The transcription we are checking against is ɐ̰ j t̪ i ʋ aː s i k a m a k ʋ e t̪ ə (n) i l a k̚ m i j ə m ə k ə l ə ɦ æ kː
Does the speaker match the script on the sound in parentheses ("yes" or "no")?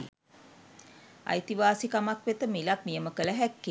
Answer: no